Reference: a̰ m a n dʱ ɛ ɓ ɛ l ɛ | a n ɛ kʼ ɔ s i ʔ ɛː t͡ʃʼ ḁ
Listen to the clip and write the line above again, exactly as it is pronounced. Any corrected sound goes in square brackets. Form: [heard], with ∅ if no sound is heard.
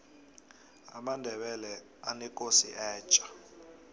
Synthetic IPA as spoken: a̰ m a n dʱ ɛ ɓ ɛ l ɛ | a n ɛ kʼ [o] s i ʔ ɛː t͡ʃʼ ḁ